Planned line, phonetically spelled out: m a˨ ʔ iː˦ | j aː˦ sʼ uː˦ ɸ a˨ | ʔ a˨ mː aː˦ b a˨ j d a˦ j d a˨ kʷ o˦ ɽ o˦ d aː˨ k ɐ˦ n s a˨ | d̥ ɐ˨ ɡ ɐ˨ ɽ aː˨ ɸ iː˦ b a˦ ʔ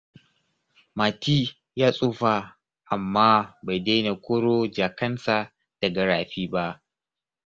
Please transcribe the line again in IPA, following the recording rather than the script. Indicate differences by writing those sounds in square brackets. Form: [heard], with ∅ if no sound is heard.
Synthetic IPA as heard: m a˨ [t] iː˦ | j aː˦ sʼ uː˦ ɸ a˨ | ʔ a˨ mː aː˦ b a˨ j d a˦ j [n] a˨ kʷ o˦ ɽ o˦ [d͡ʒ] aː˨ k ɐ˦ n s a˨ | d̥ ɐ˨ ɡ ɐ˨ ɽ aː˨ ɸ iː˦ b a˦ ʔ